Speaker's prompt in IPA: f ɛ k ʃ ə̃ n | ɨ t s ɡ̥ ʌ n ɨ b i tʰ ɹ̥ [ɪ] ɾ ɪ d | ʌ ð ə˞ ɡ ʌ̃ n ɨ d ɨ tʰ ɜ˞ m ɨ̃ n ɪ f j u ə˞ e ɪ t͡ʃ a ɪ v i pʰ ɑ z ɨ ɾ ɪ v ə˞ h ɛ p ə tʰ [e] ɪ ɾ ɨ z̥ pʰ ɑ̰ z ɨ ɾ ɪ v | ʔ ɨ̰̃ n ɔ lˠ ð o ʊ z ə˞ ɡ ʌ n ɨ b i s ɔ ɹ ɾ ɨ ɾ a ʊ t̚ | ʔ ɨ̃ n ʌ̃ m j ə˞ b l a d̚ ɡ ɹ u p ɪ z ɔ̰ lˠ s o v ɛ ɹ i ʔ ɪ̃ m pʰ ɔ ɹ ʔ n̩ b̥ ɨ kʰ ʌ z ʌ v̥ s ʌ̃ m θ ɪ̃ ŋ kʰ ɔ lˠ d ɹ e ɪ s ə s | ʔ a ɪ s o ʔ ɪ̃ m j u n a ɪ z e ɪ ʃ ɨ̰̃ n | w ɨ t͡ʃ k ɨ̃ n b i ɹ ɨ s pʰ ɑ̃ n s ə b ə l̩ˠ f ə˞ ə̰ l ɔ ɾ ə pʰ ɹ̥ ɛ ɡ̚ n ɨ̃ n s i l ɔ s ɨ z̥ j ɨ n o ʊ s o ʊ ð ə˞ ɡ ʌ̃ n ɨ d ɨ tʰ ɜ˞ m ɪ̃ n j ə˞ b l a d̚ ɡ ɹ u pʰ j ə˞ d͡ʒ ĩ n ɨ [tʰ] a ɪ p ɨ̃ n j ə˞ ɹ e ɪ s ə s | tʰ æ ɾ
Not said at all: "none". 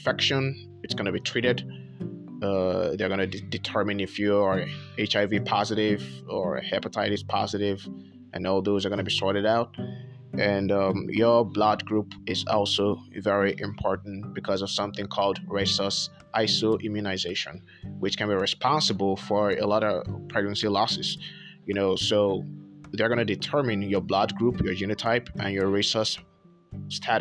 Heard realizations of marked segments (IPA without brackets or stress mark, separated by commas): i, a, tʰ